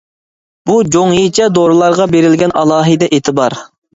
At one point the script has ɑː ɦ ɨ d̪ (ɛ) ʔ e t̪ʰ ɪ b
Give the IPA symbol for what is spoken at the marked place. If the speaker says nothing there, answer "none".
ɛ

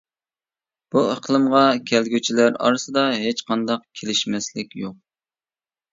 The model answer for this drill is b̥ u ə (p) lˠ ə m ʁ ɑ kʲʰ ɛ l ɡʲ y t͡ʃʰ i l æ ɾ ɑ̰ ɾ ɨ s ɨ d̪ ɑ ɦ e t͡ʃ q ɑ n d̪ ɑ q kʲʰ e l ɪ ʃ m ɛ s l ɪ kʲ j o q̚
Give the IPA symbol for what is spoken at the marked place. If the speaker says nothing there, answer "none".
q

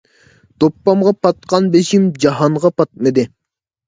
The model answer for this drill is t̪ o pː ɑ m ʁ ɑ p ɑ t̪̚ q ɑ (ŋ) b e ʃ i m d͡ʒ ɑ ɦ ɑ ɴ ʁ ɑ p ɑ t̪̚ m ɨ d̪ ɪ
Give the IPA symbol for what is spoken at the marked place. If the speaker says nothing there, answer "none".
n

